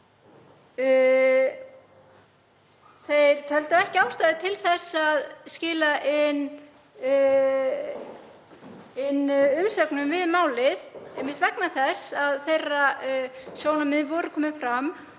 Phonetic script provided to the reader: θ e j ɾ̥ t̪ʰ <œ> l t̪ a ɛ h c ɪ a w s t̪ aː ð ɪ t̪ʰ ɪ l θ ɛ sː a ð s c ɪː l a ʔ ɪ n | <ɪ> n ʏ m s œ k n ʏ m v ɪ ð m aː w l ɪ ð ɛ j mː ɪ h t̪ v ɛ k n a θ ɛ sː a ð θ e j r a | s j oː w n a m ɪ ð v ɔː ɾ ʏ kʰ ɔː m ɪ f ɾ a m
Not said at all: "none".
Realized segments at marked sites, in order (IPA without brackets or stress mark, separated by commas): œ, ɪ